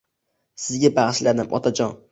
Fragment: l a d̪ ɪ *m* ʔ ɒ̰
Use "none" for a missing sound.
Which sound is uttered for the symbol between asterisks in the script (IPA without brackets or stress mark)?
m